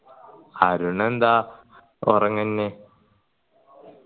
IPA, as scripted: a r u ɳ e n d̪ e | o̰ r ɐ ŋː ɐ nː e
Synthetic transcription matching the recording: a ɾ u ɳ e n d̪ a | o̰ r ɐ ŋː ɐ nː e